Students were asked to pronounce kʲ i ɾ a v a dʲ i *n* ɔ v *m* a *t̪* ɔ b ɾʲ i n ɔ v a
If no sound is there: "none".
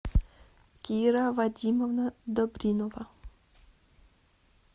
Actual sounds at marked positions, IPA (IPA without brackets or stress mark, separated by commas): m, n, d̪